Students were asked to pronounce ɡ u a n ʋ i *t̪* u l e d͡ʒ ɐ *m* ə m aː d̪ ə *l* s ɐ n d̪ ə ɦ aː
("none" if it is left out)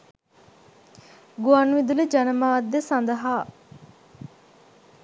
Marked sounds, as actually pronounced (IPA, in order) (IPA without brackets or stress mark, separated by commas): d̪, n, none